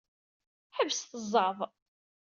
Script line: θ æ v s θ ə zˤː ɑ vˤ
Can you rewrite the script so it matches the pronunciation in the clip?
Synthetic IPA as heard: ħ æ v s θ ə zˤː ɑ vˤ